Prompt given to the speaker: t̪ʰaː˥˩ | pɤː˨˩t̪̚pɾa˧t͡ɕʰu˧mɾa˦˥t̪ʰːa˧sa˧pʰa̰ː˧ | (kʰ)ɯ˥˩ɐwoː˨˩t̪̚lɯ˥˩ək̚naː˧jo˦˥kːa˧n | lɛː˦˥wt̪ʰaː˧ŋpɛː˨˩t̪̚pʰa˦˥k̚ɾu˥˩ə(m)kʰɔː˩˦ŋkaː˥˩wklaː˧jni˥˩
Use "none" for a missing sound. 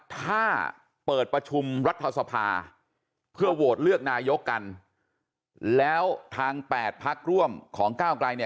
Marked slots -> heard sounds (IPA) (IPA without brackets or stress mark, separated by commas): pʰ, m